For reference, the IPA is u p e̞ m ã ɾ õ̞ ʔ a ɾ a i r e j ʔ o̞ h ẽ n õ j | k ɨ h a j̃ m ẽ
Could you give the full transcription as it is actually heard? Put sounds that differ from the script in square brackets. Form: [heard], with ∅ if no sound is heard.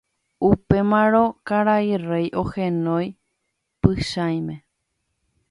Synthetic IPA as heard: u p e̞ m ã ɾ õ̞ [k] a ɾ a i r e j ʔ o̞ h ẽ n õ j | [p] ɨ [ʃ] a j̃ m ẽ